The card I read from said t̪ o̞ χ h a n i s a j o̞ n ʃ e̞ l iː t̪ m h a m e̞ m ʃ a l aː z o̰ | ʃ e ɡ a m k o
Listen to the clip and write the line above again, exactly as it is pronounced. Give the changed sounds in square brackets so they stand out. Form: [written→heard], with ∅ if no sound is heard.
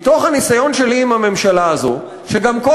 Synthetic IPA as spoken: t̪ o̞ χ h a n i s a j o̞ n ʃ e̞ l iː [t̪→∅] m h a m e̞ m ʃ a l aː z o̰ | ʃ e ɡ a m k o

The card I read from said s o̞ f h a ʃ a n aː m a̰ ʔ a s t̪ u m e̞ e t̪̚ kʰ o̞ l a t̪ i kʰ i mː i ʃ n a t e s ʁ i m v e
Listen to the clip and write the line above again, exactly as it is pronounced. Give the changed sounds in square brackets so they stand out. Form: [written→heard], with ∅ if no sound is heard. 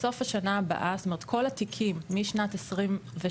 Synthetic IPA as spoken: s o̞ f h a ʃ a n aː [m→b] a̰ ʔ a s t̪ [u→o] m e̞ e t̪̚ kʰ o̞ l a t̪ i kʰ i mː i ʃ n a t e s ʁ i m v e

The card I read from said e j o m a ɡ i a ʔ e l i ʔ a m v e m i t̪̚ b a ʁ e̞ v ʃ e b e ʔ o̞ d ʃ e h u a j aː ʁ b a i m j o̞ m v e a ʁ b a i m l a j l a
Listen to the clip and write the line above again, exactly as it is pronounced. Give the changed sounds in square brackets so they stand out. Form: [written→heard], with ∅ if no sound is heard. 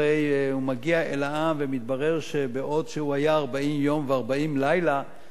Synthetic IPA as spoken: e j [o→u] m a ɡ i a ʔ e l [i→a] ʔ a m v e m i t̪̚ b a ʁ e̞ [v→ʁ] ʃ e b e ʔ o̞ d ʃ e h u a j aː ʁ b a i m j o̞ m v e a ʁ b a i m l a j l a

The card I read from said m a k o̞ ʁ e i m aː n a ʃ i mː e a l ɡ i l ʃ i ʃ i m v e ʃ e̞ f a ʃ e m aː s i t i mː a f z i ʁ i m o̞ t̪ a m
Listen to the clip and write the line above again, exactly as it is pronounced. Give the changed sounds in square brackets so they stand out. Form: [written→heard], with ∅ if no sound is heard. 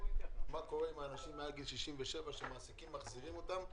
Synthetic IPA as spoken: m a k o̞ ʁ e i m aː n a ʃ i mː e a l ɡ i l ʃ i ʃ i m v e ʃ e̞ [f→v] a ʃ e m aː s i [t→k] i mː a [f→χ] z i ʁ i m o̞ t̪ a m

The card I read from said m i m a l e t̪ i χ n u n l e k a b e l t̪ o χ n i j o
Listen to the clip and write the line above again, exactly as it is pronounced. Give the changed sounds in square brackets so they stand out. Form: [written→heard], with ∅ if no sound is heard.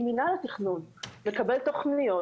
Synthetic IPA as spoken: m i [m→n] a l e t̪ i χ n u n l e k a b e l t̪ o χ n i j o

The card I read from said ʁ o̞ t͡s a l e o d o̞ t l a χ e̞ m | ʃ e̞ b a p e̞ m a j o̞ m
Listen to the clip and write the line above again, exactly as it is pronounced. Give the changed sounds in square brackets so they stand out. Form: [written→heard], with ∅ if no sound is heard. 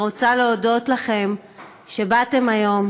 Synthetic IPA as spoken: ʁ o̞ t͡s a l e o d o̞ t l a χ e̞ m | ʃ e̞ b a [p→t] e̞ m a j o̞ m

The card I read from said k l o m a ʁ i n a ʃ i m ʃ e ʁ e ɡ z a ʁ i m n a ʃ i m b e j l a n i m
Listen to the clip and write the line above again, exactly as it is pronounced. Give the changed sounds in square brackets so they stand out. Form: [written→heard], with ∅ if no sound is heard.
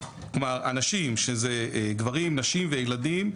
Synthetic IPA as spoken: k l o m a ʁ [i→a] n a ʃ i m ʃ e [ʁ→z] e ɡ [z→v] a ʁ i m n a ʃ i m [b→v] e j l a [n→d] i m

